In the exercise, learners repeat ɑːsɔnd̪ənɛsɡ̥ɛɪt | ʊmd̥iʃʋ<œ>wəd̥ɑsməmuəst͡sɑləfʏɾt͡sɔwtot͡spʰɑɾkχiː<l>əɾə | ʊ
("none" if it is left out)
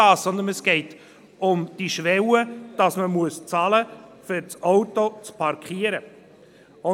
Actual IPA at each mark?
ɛ, none

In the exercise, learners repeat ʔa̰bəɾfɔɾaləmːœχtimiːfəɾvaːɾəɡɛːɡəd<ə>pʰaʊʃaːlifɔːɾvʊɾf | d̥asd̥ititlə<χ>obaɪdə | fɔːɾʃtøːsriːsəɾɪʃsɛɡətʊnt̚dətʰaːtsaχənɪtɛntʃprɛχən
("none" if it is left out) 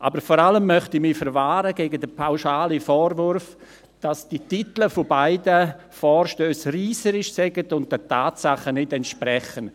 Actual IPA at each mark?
ə, f

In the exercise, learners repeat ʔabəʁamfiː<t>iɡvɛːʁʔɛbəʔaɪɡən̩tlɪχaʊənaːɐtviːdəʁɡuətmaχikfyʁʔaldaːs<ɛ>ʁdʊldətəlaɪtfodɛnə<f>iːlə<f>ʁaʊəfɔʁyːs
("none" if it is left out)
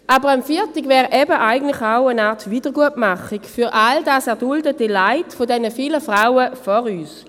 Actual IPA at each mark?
t, ɛ, f, f

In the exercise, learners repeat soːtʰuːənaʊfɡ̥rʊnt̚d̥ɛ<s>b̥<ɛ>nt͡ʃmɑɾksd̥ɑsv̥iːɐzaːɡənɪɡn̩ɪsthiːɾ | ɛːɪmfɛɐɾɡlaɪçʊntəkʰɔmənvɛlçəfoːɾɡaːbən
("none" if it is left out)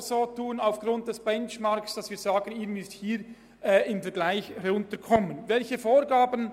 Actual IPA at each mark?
s, ɛ

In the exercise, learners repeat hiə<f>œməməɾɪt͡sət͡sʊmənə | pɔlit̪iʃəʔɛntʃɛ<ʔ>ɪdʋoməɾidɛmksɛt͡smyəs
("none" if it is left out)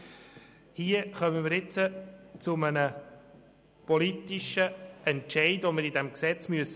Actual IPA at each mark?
χ, none

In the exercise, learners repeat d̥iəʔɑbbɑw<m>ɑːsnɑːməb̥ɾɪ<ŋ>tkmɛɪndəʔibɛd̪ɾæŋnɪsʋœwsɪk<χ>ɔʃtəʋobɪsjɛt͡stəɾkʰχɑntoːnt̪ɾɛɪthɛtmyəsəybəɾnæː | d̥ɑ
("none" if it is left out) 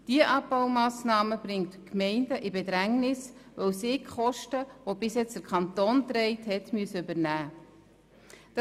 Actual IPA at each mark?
m, ŋ, χ

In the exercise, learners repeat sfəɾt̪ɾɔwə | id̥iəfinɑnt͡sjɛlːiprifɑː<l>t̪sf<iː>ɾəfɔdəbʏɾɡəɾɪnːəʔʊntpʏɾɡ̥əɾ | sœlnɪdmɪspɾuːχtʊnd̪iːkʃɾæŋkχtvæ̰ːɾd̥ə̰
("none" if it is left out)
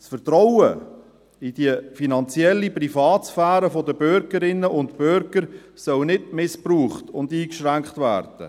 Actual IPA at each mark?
none, æː

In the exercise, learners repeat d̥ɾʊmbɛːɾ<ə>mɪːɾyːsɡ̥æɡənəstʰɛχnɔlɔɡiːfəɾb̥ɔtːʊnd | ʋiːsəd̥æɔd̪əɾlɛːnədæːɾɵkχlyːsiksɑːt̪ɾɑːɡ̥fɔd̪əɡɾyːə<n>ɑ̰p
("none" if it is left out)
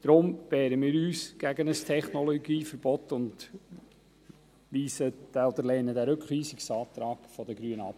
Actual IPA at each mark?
ə, n

